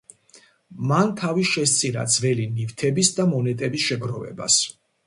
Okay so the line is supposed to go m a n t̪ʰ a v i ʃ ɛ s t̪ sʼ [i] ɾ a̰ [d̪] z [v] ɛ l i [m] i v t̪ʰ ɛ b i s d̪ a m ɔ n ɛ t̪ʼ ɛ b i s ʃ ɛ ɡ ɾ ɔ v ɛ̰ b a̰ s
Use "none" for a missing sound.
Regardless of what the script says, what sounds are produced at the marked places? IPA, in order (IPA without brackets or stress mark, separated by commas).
i, d̪, v, n